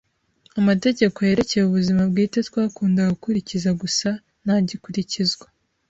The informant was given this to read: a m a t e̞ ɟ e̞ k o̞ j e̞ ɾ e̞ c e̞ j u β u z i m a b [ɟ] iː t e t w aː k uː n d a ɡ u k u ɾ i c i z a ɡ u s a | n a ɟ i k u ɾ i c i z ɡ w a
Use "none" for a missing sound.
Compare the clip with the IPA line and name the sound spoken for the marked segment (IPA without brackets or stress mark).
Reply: ɡ